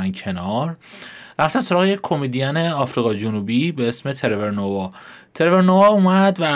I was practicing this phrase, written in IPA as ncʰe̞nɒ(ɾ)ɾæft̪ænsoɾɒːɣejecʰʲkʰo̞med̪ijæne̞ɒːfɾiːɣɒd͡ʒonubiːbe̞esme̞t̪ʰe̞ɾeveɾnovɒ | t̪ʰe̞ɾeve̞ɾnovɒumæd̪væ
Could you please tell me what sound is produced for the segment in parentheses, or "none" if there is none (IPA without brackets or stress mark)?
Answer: ɾ